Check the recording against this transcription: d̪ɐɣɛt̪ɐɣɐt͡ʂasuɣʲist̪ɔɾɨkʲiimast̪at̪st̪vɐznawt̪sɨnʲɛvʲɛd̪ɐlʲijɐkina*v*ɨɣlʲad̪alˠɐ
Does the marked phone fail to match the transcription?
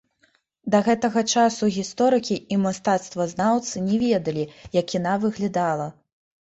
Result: no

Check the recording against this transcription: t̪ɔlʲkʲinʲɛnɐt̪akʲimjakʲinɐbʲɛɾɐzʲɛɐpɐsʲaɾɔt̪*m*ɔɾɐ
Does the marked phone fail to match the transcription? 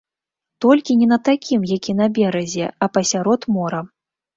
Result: no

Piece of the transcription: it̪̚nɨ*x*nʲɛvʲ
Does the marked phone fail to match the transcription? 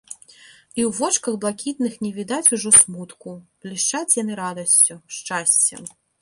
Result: no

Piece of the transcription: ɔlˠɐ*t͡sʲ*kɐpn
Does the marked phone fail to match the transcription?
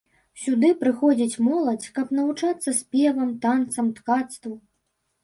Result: no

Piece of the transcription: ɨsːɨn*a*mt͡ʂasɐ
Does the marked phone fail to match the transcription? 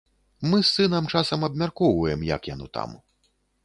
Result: yes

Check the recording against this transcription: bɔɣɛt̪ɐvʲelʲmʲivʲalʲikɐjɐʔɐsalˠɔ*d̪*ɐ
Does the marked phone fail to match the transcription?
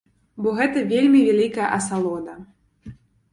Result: no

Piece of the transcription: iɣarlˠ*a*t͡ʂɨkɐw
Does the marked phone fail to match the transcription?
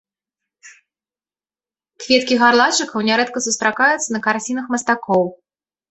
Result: no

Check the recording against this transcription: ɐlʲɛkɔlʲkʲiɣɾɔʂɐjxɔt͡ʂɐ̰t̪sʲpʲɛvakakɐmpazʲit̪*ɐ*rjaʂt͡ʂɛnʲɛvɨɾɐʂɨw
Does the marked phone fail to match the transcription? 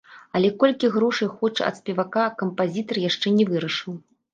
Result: no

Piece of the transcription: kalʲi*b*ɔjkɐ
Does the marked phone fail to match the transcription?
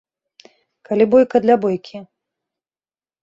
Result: no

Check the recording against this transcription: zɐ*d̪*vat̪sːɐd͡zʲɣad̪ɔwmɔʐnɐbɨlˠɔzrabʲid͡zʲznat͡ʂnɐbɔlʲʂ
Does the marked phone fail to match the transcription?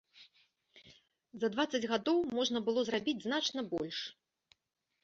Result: no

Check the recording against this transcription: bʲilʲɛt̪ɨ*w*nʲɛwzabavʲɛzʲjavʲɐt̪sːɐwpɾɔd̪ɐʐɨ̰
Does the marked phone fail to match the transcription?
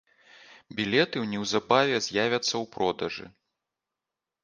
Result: no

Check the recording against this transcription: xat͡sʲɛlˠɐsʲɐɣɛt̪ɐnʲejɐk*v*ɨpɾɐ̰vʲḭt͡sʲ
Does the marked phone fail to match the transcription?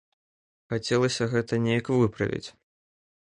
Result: no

